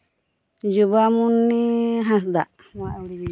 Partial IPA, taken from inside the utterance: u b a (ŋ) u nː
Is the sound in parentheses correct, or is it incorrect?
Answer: incorrect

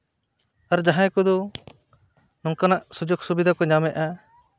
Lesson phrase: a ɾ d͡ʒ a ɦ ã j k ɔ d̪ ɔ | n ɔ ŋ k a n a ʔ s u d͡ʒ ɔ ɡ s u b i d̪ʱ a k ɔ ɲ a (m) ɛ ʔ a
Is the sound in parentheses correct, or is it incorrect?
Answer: correct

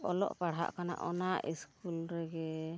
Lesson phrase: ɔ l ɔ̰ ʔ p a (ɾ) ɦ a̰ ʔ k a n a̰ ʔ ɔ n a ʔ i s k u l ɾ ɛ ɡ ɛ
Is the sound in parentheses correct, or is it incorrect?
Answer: incorrect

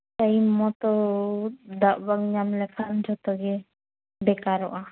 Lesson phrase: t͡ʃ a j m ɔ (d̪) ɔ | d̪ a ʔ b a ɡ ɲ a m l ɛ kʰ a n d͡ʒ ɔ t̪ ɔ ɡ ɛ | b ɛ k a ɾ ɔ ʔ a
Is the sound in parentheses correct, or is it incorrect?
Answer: incorrect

